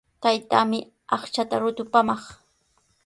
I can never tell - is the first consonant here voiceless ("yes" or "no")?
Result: yes